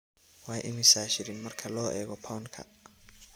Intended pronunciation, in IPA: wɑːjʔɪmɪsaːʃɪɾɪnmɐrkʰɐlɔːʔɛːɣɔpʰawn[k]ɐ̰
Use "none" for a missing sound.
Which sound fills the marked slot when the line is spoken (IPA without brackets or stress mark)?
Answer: kʰ